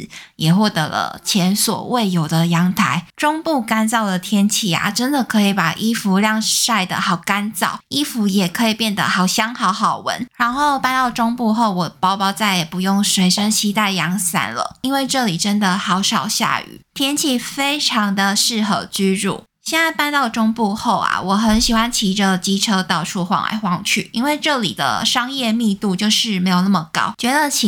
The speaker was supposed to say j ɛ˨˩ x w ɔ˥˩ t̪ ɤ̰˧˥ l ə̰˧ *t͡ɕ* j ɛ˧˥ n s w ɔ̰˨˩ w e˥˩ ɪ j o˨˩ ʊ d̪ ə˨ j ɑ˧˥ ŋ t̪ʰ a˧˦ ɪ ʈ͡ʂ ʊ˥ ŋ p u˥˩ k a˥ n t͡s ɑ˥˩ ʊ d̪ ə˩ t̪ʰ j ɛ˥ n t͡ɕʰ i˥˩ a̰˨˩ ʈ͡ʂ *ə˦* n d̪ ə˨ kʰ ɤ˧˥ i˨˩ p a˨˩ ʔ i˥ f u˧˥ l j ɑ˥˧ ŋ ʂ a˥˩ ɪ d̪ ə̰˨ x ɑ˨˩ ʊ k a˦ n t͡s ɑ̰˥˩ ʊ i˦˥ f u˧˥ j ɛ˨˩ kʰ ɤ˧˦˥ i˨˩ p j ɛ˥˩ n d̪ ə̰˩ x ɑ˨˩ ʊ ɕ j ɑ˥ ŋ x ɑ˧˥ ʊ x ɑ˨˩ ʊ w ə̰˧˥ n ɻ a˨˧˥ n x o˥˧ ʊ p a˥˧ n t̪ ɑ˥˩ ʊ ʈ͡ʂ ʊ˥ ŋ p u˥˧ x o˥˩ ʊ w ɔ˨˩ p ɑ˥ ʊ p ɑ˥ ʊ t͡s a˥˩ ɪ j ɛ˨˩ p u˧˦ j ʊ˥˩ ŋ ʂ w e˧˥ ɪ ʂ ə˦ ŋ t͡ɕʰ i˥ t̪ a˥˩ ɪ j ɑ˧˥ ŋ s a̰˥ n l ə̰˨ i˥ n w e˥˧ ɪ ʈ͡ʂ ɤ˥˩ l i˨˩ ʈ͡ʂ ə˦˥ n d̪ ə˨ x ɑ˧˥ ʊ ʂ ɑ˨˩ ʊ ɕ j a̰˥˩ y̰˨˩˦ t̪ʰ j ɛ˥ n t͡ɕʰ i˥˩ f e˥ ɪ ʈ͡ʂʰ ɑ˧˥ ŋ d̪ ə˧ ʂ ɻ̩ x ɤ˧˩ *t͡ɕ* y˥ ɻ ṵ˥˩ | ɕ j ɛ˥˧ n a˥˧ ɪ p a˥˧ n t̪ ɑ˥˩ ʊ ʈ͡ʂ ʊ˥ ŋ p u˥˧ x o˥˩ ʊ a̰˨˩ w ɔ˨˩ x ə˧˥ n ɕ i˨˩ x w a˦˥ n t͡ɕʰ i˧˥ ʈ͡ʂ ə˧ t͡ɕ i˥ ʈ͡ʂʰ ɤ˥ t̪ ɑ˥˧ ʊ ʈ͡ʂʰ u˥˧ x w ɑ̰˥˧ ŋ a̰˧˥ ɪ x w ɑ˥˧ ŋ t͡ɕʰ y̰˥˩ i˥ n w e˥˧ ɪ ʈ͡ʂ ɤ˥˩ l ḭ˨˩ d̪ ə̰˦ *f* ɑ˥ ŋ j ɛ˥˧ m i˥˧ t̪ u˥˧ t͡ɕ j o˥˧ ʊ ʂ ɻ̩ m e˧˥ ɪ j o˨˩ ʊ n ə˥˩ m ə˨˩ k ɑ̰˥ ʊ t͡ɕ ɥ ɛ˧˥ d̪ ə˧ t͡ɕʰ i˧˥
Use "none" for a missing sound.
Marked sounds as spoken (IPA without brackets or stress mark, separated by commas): t͡ɕʰ, ə˦, t͡ɕ, ʂ